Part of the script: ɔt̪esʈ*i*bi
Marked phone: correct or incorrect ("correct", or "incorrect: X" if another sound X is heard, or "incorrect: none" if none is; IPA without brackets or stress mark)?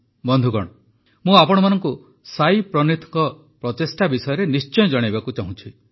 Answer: incorrect: a